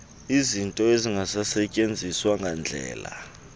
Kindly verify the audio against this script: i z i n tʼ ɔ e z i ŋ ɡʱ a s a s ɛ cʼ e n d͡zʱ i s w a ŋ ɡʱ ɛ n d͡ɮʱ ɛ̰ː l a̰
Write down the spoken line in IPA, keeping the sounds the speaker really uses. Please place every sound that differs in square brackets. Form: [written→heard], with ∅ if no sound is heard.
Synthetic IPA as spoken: i z i n tʼ ɔ e z i ŋ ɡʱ a s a s ɛ cʼ e n d͡zʱ i s w a ŋ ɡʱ [ɛ→a] n d͡ɮʱ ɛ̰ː l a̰